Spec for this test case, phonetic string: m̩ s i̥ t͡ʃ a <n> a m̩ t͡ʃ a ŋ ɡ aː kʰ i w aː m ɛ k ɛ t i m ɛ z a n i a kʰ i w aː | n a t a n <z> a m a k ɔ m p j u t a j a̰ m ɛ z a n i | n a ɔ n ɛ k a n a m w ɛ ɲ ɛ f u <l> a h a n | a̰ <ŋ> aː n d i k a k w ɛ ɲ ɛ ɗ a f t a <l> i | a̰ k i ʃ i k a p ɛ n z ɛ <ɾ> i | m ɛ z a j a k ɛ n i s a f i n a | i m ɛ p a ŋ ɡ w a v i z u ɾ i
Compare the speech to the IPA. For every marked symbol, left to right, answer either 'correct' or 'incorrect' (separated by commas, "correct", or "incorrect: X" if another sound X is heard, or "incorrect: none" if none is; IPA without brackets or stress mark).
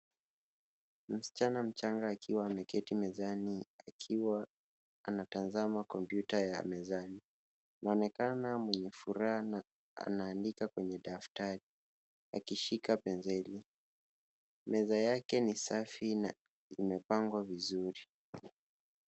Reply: correct, correct, incorrect: ɾ, incorrect: n, incorrect: ɾ, incorrect: l